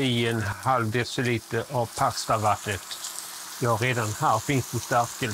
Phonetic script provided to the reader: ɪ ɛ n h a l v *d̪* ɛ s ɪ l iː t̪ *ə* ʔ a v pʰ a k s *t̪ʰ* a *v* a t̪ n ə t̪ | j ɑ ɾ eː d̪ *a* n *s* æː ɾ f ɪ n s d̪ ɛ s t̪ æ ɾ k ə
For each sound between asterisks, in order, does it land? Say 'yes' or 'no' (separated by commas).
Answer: yes, yes, no, yes, yes, no